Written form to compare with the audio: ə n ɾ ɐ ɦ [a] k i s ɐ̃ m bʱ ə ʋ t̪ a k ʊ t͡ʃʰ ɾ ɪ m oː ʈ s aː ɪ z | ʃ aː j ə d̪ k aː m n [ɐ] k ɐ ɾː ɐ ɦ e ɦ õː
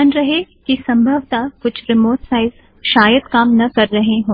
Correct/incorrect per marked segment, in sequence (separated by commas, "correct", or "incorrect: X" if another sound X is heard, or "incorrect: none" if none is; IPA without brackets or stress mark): incorrect: e, correct